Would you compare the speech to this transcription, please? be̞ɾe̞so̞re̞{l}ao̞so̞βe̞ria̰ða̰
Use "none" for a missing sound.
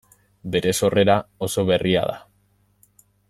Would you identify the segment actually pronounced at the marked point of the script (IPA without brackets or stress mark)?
ɾ